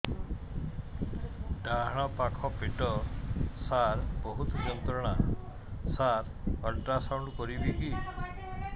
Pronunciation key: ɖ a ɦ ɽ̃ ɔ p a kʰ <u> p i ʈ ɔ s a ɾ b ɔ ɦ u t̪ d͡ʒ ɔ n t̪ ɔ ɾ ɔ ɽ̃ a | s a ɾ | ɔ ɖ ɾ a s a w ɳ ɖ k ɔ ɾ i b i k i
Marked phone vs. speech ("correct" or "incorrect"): incorrect